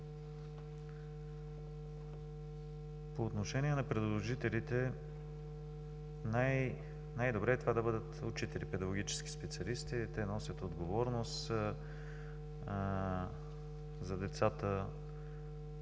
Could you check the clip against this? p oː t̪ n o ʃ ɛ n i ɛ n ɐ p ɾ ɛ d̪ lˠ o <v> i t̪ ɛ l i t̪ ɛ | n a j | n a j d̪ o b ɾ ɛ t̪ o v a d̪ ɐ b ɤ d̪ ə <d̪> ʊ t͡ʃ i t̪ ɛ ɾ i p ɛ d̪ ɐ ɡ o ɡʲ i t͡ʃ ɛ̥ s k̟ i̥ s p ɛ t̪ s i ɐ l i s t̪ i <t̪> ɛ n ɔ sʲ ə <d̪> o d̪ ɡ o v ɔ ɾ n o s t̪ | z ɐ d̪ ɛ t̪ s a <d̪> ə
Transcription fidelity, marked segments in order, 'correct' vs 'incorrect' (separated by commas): incorrect, incorrect, correct, incorrect, incorrect